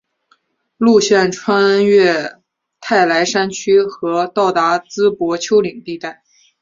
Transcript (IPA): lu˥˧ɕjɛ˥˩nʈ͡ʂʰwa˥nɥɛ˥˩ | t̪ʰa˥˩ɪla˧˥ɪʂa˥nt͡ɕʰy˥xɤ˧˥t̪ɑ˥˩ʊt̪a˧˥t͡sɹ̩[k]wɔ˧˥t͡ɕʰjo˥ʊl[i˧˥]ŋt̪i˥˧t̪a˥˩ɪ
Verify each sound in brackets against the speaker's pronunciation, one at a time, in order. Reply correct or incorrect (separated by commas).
incorrect, incorrect